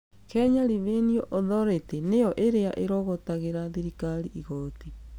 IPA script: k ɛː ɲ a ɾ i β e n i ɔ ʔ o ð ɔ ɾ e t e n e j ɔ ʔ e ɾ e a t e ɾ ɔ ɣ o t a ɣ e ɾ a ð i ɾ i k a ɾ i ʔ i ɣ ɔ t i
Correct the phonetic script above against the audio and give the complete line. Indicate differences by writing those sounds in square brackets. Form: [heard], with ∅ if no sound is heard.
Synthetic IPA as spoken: k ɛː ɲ a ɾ i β e n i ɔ ʔ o ð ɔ ɾ e t e n e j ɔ ʔ e ɾ e a [ʔ] e ɾ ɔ ɣ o t a ɣ e ɾ a ð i ɾ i k a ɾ i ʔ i ɣ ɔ t i